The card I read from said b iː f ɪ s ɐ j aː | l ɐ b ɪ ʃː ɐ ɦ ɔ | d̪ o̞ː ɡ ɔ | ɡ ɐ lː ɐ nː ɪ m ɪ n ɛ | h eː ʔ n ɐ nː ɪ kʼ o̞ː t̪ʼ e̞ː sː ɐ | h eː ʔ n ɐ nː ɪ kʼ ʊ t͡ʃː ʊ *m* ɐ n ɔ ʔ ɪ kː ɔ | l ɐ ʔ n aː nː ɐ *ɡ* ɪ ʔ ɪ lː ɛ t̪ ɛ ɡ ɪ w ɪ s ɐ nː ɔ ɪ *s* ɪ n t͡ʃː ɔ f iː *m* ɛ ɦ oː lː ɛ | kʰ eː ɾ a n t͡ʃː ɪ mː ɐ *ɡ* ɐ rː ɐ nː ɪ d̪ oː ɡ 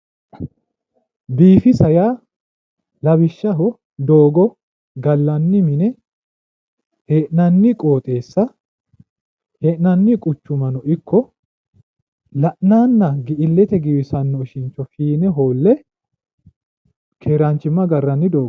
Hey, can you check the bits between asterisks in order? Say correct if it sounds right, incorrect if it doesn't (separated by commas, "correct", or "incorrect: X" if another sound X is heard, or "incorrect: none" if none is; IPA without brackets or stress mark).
correct, correct, incorrect: ʃ, incorrect: n, correct